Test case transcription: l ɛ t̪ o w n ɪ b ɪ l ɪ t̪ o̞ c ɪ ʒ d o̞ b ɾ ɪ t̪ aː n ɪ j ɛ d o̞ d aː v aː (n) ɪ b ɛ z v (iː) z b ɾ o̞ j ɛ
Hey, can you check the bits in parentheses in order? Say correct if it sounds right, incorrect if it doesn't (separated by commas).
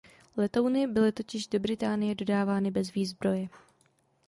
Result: correct, correct